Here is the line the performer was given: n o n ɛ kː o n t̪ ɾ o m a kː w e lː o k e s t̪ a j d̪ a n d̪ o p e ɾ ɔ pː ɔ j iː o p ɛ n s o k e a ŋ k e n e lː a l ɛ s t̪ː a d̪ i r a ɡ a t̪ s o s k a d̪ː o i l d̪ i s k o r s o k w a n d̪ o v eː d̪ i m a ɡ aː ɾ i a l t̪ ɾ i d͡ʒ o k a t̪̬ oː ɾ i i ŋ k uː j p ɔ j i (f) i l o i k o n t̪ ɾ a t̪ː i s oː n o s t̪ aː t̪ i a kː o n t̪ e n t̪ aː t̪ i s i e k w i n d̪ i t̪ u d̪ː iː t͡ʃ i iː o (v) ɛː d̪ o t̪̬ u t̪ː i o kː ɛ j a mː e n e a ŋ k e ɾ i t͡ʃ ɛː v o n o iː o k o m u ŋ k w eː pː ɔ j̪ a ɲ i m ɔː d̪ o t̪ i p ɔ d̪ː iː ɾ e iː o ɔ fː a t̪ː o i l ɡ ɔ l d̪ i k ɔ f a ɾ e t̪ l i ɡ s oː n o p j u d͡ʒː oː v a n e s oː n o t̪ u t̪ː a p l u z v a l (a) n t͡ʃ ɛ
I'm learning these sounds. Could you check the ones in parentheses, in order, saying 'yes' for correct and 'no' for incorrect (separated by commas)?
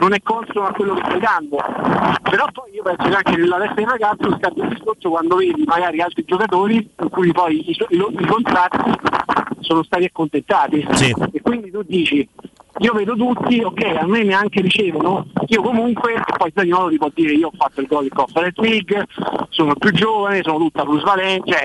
no, yes, no